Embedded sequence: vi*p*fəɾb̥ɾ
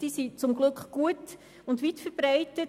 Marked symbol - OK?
no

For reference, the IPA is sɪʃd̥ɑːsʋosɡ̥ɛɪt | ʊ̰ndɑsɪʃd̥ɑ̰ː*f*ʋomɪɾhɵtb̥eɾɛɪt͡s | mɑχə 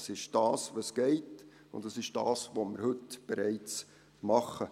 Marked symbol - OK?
no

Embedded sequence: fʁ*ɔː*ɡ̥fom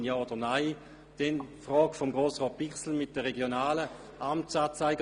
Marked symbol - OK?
yes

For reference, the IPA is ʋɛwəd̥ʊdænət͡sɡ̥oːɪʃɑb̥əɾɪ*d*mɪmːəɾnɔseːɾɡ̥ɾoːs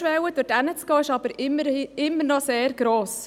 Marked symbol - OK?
no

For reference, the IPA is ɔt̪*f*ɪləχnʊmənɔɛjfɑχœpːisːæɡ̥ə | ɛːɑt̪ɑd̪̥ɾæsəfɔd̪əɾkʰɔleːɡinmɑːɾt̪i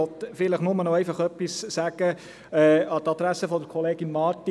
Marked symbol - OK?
yes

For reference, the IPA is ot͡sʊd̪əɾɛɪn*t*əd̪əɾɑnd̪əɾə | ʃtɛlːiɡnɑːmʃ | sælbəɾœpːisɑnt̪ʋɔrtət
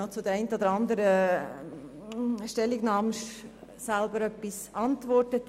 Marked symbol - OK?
yes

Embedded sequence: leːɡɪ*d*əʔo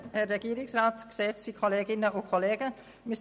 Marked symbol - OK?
no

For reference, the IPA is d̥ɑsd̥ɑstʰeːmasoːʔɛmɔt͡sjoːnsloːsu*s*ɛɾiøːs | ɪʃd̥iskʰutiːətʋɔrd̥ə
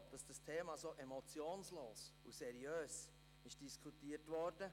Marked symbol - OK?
yes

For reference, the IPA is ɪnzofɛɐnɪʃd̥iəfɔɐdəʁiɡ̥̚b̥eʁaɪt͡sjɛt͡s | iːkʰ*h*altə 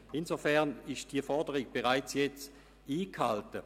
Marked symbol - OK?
yes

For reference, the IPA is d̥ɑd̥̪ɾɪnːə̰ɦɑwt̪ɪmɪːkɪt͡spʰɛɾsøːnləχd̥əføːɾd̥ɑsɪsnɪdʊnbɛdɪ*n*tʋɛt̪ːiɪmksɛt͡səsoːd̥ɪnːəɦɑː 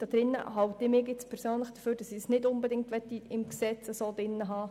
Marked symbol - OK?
no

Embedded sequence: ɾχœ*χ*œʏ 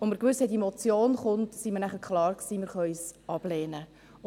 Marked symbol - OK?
no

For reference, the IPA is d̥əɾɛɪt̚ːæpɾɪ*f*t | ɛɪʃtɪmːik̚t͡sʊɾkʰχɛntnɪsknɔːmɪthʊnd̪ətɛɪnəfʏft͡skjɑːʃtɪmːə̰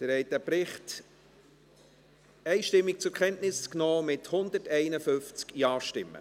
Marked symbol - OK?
no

